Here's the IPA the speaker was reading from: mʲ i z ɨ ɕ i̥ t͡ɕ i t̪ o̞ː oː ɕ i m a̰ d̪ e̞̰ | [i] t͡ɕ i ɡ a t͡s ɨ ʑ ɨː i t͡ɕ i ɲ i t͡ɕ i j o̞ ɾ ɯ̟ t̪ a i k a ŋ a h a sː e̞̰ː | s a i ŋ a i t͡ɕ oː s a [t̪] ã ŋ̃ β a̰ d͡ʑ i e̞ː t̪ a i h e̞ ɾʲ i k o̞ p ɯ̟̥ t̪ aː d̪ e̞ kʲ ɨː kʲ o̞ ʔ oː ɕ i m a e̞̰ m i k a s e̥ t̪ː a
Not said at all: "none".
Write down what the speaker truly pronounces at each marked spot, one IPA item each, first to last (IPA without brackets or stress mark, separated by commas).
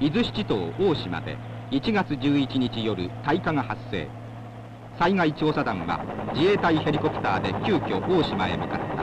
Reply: i, d̪